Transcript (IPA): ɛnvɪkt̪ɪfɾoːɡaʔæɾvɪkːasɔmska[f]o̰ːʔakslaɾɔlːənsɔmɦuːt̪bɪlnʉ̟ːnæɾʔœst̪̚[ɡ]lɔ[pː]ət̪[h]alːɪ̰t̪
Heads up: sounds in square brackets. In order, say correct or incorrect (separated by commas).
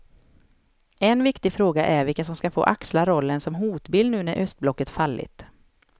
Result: correct, incorrect, incorrect, incorrect